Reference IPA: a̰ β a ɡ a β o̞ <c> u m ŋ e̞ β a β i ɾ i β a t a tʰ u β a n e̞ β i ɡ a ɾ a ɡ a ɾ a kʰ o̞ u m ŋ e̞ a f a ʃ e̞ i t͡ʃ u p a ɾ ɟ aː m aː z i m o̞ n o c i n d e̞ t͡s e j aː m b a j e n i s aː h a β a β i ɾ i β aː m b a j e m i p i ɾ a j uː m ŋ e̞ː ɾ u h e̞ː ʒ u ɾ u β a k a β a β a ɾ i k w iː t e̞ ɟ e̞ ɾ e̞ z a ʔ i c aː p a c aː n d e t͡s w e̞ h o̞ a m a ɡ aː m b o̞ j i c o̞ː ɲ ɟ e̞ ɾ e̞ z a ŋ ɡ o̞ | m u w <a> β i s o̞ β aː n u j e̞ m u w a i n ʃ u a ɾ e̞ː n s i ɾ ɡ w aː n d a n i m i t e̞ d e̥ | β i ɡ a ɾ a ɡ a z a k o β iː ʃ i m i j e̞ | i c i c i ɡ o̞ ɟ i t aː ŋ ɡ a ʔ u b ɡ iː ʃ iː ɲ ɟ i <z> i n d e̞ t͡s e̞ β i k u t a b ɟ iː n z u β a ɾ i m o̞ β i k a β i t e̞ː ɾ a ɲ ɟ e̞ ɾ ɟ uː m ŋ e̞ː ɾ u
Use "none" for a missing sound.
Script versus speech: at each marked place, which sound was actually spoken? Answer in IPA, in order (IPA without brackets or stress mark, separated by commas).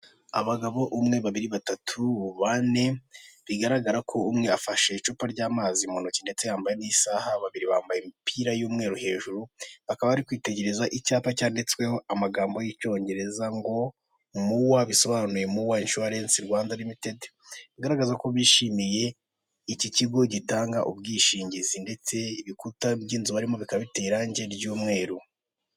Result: ʔ, a, z